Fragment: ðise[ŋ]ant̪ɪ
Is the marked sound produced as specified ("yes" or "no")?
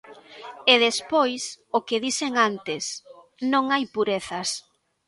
yes